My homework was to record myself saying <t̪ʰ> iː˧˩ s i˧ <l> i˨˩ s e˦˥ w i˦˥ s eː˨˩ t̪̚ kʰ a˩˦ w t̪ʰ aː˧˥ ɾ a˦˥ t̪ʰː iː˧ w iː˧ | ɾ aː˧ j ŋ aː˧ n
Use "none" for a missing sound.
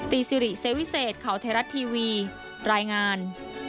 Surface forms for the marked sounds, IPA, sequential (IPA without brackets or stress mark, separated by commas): t̪, ɾ